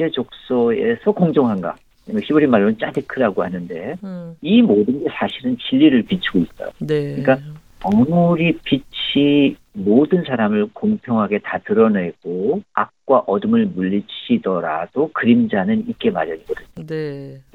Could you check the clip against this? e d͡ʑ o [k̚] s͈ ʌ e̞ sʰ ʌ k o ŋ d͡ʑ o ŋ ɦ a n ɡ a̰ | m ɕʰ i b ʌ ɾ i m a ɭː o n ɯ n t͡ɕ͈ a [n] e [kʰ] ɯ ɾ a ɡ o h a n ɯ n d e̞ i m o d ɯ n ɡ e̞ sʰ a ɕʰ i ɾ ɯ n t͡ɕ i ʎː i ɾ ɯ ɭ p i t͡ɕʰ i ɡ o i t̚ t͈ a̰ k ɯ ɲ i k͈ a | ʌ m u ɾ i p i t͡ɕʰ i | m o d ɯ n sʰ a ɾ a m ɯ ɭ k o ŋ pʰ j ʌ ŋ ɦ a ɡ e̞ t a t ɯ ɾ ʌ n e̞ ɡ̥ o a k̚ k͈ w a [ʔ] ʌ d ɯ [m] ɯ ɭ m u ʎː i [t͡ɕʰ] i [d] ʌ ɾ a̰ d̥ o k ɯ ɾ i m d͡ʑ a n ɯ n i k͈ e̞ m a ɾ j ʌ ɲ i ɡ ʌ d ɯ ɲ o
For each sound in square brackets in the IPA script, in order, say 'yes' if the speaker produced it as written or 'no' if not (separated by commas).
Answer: yes, no, yes, yes, yes, yes, yes